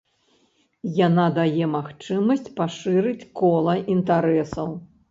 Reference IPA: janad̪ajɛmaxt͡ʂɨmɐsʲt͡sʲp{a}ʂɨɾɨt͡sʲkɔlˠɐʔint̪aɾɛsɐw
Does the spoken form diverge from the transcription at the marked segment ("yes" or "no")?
no